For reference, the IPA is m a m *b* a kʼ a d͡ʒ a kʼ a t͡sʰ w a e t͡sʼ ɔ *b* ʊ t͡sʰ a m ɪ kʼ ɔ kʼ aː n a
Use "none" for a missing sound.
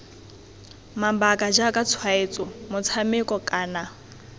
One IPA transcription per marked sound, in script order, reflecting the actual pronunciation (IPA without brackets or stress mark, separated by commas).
b, m